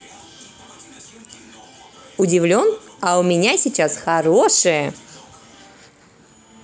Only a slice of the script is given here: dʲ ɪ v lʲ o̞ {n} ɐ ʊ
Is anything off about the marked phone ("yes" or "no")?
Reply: no